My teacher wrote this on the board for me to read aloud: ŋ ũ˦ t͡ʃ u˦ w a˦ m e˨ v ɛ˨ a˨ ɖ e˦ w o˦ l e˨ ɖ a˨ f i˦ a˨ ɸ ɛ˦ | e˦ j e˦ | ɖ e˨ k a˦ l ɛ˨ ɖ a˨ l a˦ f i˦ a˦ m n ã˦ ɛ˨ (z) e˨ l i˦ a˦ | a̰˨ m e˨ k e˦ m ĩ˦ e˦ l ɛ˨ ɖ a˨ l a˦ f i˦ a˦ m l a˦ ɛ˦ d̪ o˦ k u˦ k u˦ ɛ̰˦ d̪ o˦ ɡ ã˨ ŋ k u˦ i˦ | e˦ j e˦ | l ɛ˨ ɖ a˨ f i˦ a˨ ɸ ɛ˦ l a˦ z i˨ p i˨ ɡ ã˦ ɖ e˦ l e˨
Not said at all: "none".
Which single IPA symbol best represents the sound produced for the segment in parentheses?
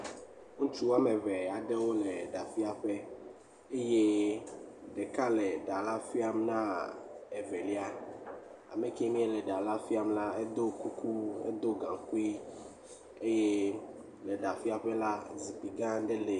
v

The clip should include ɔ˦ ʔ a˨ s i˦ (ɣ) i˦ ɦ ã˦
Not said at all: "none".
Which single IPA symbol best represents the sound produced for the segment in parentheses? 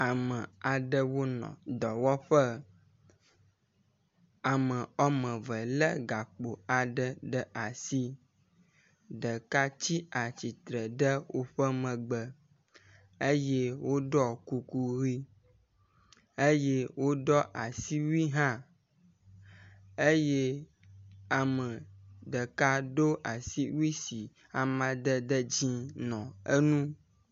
w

